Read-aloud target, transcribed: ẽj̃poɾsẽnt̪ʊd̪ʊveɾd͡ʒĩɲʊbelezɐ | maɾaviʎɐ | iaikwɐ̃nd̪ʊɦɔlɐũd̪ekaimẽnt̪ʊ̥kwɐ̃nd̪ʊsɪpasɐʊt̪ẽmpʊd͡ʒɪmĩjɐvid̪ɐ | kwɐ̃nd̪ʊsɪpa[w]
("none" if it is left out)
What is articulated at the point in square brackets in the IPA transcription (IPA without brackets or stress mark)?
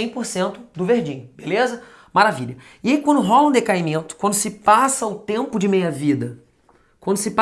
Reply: none